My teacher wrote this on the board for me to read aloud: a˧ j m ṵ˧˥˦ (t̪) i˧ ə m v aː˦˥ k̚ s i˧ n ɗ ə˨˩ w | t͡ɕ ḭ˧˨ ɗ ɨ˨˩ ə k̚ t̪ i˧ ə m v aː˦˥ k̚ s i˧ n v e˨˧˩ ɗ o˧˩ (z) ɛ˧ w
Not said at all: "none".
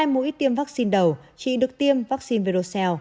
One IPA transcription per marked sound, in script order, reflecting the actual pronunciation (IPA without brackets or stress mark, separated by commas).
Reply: t̪, s